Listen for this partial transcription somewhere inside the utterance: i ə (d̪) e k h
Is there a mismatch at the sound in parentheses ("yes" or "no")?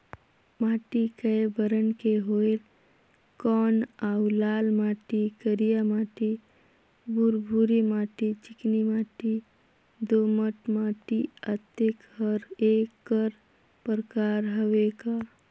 yes